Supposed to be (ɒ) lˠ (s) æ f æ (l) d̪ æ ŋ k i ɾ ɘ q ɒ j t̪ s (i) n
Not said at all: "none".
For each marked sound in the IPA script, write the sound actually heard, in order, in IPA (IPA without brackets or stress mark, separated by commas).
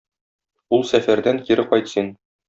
u, s, ɾ, i